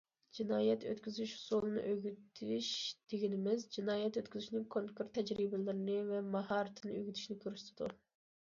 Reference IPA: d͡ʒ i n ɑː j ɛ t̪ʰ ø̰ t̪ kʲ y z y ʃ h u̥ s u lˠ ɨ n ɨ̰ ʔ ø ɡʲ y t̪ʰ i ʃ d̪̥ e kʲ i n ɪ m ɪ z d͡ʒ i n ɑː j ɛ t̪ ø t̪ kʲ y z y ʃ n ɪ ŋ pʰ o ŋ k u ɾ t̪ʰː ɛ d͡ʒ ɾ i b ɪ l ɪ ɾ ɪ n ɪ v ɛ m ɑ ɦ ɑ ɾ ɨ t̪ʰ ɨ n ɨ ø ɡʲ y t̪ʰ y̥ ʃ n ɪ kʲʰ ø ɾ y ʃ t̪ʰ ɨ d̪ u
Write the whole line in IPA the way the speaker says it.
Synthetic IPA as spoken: d͡ʒ i n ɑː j ɛ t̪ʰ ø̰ t̪ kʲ y z y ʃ h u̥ s u lˠ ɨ n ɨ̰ ʔ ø ɡʲ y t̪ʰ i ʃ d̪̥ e ɡʲ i n ɪ m ɪ z d͡ʒ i n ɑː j ɛ t̪ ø t̪ kʲ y z y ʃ n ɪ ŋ kʰ o ŋ k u ɾ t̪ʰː ɛ d͡ʒ ɾ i b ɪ l ɪ ɾ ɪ n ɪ v ɛ m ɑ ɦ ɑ ɾ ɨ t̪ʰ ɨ n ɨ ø ɡʲ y t̪ʰ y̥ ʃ n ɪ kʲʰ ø ɾ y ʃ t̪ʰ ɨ d̪ u